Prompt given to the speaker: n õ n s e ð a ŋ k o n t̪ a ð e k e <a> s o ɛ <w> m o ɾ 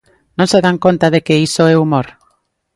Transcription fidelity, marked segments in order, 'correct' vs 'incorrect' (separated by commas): incorrect, incorrect